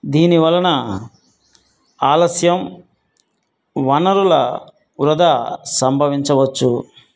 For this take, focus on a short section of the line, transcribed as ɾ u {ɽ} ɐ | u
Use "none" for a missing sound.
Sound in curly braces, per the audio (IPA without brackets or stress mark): l